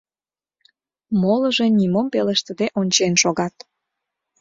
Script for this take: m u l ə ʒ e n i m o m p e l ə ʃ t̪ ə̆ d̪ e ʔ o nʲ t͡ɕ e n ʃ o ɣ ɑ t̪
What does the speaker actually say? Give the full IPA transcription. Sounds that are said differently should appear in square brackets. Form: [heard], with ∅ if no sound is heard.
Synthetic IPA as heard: m [o] l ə ʒ e n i m o m p e l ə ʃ t̪ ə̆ d̪ e ʔ o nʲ t͡ɕ e n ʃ o ɣ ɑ t̪

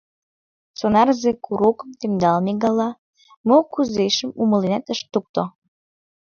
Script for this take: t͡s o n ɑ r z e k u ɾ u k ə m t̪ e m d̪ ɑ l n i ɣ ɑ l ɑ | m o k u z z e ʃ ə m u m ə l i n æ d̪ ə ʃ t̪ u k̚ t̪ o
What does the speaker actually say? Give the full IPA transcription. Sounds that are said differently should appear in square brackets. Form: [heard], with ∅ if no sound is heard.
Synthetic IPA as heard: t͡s o n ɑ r z e k u ɾ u k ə m t̪ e m d̪ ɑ l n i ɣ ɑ l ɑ | m o k u z z e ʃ ə m u m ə l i n æ [t̪] ə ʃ t̪ u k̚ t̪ o

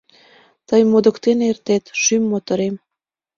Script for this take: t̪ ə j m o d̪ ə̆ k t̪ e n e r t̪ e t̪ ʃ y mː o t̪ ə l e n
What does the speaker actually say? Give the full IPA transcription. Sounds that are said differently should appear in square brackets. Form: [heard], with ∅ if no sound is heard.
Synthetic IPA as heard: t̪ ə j m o d̪ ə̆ k t̪ e n e r t̪ e t̪ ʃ y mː o t̪ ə [ɾ] e [m]

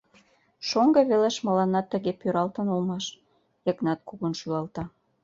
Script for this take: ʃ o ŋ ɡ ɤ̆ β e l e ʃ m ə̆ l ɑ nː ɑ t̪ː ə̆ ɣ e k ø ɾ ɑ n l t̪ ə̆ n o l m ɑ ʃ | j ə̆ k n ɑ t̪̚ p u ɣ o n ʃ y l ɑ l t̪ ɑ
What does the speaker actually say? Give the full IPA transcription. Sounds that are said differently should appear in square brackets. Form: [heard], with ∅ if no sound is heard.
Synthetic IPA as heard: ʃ o ŋ ɡ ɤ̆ β e l e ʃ m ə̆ l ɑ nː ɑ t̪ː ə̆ ɣ e [p] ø ɾ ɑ [∅] l t̪ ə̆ n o l m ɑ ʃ | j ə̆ k n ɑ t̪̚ [k] u ɣ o n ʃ y l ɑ l t̪ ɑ

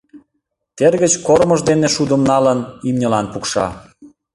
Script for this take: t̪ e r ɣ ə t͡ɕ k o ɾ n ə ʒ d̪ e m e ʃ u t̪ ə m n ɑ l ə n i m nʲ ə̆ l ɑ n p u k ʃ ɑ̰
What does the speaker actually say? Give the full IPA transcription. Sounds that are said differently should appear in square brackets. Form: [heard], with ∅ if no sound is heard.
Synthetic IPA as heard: t̪ e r ɣ ə t͡ɕ k o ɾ [m] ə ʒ d̪ e [n] e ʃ u [d̪] ə m n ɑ l ə n i m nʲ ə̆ l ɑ n p u k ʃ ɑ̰

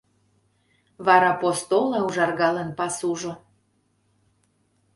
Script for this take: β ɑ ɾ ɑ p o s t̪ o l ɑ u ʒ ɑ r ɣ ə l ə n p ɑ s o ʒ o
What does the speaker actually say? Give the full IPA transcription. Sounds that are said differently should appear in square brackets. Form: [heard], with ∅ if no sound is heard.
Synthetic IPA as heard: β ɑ ɾ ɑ p o s t̪ o l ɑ u ʒ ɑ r ɣ [ɑ] l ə n p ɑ s [u] ʒ o

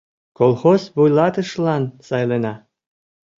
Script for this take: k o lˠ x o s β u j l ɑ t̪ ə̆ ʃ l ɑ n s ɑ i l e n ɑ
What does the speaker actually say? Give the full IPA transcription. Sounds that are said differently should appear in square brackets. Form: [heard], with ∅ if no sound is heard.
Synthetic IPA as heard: k o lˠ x o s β u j l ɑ t̪ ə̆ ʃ l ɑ n s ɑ [j] l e n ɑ

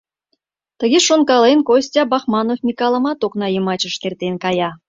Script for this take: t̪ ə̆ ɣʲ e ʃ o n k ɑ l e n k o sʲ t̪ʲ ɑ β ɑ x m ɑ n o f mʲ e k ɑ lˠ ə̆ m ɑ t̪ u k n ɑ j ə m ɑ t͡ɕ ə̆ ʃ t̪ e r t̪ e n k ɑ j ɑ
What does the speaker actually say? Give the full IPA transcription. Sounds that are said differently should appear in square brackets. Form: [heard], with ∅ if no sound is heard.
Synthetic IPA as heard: t̪ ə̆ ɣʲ e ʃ o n k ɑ l e n k o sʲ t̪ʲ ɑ [b] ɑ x m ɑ n o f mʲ [i] k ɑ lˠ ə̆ m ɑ t̪ [o] k n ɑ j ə m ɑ t͡ɕ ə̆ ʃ t̪ e r t̪ e n k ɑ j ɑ

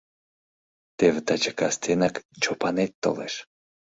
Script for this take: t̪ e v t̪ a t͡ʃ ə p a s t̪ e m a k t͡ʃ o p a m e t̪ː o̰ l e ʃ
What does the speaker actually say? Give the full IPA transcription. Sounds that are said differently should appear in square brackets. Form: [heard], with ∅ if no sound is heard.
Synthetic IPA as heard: t̪ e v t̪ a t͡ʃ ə [k] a s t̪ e [n] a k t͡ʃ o p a [n] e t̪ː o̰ l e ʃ

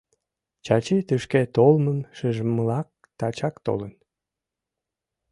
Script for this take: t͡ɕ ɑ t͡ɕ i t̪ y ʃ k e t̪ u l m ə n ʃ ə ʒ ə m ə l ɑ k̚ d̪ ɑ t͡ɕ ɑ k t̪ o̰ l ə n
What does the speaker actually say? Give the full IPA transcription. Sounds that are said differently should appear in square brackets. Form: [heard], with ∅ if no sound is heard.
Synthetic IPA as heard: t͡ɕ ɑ t͡ɕ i t̪ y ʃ k e t̪ [o] l m ə n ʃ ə ʒ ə m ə l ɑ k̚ [t̪] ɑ t͡ɕ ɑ k t̪ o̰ l ə n

